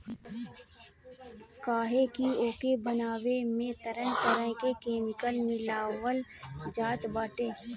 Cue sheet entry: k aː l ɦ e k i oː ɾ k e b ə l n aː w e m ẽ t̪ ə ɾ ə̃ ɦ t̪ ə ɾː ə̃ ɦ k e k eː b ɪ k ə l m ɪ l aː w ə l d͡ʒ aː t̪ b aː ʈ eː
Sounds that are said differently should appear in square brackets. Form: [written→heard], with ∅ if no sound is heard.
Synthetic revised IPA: k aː [l→∅] ɦ e k i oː [ɾ→∅] k e b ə [l→∅] n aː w e m ẽ t̪ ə ɾ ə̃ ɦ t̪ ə [ɾː→ɾ] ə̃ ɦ k e k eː [b→m] ɪ k ə l m ɪ l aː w ə l d͡ʒ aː t̪ b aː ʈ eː